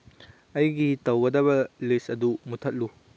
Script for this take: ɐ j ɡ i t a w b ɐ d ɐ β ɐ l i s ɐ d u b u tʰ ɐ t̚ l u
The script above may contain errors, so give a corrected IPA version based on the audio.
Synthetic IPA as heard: ɐ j ɡ i t ɐ w ɡ ɐ d ɐ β ɐ l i s ɐ d u m u tʰ ɐ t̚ l u